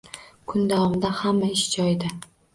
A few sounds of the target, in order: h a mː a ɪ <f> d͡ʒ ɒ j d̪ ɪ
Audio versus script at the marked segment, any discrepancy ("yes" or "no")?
yes